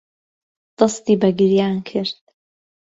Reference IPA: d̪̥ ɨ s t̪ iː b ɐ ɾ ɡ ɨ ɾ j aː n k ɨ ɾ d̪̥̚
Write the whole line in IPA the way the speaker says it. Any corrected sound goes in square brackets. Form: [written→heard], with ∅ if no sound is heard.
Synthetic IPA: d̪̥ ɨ s t̪ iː b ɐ [ɾ→∅] ɡ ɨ ɾ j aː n [k→kʰ] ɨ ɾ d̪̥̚